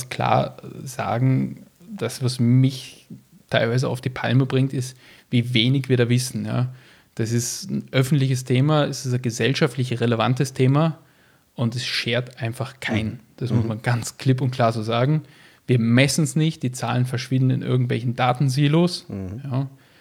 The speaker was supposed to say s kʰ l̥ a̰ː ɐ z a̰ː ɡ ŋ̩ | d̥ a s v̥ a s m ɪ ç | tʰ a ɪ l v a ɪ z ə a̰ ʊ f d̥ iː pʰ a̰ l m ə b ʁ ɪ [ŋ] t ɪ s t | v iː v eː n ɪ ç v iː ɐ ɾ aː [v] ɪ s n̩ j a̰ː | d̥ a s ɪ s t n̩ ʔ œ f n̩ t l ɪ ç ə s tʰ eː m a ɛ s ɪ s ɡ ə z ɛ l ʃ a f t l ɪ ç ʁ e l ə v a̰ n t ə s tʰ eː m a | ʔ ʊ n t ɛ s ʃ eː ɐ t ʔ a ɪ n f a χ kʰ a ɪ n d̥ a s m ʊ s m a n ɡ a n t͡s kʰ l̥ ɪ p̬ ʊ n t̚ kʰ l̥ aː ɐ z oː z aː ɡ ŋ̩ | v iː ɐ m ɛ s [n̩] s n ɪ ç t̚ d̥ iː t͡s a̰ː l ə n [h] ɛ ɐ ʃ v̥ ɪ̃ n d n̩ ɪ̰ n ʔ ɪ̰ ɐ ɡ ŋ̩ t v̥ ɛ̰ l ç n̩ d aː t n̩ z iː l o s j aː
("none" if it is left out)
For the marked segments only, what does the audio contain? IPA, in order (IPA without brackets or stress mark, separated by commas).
ŋ, v, n̩, f